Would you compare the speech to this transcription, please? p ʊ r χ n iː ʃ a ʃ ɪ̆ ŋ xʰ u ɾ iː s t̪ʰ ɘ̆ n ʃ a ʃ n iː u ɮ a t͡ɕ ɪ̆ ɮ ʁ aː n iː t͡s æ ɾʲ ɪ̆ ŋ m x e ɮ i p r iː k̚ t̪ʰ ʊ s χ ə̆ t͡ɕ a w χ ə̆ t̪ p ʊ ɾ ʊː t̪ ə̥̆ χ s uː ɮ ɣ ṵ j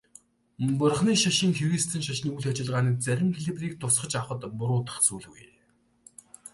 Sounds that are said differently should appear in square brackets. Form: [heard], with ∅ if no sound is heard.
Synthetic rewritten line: p ʊ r χ n iː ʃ a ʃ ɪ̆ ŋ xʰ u ɾ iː s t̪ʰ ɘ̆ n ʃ a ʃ n iː u ɮ a t͡ɕ ɪ̆ ɮ ʁ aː n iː t͡s æ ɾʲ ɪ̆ [∅] m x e ɮ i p r iː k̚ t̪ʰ ʊ s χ ə̆ t͡ɕ a w χ ə̆ t̪ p ʊ ɾ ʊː t̪ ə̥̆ χ [t͡s] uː ɮ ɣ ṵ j